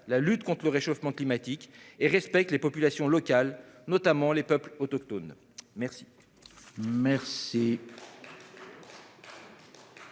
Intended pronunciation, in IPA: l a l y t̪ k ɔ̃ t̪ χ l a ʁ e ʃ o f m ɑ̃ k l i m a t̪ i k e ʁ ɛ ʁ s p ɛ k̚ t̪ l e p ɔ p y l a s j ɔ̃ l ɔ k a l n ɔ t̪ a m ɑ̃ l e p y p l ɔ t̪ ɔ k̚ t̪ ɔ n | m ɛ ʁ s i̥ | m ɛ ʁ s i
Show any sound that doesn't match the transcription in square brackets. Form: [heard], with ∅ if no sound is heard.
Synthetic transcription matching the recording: l a l y t̪ k ɔ̃ t̪ χ l [ə] ʁ e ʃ o f m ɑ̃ k l i m a t̪ i k e ʁ ɛ [∅] s p ɛ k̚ t̪ l e p ɔ p y l a s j ɔ̃ l ɔ k a l n ɔ t̪ a m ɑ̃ l e p [œ] p l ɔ t̪ ɔ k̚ t̪ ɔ n | m ɛ ʁ s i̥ | m ɛ ʁ s i